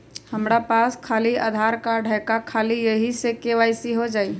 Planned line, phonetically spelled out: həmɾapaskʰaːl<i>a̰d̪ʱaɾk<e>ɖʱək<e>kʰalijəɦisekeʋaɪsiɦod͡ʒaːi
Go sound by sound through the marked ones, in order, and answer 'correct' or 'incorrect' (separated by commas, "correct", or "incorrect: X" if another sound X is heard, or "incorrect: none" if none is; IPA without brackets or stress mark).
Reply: correct, incorrect: a, incorrect: a